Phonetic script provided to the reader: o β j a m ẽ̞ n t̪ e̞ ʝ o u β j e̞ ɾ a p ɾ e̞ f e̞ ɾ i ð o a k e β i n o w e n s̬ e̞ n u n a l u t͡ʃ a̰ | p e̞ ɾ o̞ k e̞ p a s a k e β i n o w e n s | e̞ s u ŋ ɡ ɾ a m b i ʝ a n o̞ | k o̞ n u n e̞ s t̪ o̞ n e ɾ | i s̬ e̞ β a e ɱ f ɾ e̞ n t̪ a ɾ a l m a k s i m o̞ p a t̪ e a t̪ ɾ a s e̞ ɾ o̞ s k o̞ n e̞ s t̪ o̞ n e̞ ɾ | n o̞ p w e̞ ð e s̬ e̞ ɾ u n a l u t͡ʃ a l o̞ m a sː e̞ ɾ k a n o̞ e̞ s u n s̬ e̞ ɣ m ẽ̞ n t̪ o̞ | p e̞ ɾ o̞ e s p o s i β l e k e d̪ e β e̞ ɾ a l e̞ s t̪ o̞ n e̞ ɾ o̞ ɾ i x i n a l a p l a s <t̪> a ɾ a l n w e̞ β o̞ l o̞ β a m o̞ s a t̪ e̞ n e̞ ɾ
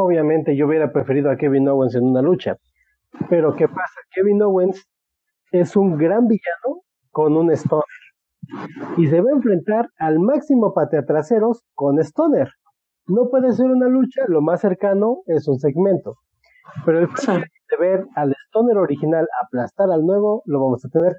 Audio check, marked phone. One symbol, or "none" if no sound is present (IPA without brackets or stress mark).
t̪